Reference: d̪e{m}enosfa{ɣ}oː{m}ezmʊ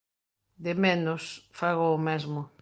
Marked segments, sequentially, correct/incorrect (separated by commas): correct, correct, correct